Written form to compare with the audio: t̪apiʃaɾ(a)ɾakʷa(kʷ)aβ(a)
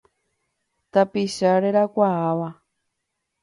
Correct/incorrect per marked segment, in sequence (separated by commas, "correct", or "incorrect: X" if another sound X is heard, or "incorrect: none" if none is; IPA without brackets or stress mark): incorrect: e, incorrect: none, correct